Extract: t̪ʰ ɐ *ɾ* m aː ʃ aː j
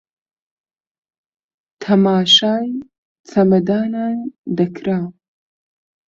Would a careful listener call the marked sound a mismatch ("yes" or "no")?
yes